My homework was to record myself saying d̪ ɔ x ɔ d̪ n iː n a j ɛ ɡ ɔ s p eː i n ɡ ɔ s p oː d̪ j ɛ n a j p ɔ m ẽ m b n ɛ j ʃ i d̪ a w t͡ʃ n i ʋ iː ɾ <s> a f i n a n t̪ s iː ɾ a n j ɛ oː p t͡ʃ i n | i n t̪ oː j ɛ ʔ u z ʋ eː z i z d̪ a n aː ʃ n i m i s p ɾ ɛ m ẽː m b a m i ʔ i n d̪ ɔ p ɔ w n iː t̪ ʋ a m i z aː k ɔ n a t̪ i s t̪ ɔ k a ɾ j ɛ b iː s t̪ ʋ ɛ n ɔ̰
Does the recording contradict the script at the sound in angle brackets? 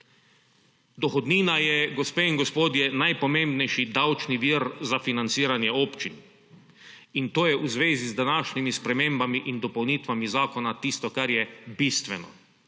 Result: yes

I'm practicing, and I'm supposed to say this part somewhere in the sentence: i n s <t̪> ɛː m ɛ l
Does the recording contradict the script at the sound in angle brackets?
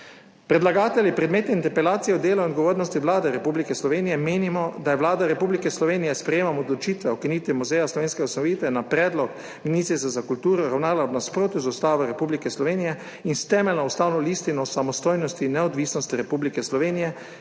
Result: no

